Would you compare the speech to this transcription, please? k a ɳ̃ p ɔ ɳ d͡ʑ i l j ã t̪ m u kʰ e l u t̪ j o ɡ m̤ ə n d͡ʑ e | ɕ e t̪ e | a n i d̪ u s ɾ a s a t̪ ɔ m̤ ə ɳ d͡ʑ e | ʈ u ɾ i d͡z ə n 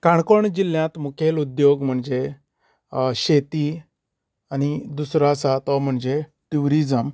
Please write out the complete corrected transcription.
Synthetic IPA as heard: k a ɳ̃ k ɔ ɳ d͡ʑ i l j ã t̪ m u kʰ e l u d̪ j o ɡ m̤ ə ɳ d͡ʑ e | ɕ e t̪ i | a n i d̪ u s ɾ a s a t̪ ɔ m̤ ə ɳ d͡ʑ e | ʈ u ɾ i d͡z ə m